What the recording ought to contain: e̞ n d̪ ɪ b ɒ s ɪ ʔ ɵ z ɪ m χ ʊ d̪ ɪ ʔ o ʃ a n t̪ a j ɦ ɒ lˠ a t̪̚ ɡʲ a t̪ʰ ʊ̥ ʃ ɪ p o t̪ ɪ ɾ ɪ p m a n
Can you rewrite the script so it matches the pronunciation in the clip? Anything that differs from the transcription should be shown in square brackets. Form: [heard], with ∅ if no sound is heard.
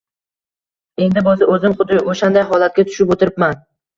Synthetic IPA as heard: e̞ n d̪ ɪ b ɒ [z] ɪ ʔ ɵ z ɪ m χ ʊ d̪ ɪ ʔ o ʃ a n [d̪] a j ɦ ɒ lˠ a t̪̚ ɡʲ a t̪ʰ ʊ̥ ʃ ɪ p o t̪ ɪ ɾ ɪ p m a n